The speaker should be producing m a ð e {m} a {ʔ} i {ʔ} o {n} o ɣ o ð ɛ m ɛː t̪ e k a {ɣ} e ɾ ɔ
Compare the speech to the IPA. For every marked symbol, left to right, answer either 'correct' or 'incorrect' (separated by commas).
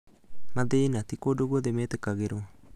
incorrect, incorrect, incorrect, incorrect, correct